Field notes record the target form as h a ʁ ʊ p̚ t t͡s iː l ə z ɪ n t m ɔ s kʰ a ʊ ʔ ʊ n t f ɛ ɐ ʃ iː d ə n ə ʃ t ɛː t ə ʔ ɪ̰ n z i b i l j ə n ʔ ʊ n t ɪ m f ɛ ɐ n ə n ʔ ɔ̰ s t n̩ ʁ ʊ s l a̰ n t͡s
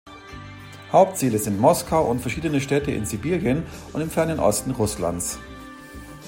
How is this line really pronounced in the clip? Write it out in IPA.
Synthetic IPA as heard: h a ʊ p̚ t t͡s iː l ə z ɪ n t m ɔ s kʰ a ʊ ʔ ʊ n t f ɛ ɐ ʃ iː d ə n ə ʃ t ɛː t ə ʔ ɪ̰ n z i b iː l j ə n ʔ ʊ n t ɪ m f ɛ ɐ n ə n ʔ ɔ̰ s t n̩ ʁ ʊ s l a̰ n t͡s